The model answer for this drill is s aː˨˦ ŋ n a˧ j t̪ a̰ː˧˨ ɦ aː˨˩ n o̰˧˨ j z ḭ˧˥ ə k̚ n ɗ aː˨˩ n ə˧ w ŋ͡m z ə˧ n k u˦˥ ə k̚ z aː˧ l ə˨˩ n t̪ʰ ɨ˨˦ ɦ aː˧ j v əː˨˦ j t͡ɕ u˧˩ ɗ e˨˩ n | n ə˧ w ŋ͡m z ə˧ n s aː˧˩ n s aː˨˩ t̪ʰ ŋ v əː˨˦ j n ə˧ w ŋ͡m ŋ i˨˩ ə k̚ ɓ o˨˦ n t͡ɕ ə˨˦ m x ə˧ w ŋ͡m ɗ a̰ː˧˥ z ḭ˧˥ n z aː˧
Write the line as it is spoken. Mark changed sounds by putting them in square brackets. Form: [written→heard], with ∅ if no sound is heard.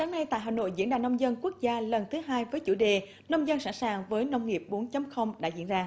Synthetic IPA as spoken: s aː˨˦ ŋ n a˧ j t̪ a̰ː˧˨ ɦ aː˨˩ n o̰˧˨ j z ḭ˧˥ ə [k̚→∅] n ɗ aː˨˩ n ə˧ w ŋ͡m z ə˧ n k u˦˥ ə k̚ z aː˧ l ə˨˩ n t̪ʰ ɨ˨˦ ɦ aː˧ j v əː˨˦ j t͡ɕ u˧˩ ɗ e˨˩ [n→∅] | n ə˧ w ŋ͡m z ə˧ n s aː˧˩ n s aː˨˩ [t̪ʰ→∅] ŋ v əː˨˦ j n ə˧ w ŋ͡m ŋ i˨˩ ə [k̚→p̚] ɓ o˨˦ n t͡ɕ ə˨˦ m x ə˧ w ŋ͡m ɗ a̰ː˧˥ z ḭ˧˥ n z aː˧